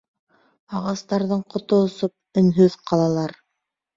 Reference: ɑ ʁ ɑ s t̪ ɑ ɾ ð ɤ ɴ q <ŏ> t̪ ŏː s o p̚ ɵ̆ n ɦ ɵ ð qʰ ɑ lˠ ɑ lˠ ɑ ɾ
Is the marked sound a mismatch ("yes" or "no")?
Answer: no